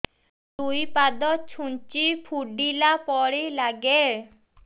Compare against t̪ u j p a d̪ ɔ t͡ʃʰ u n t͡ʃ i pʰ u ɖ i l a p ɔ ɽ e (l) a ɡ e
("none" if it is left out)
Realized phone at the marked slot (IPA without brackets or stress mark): l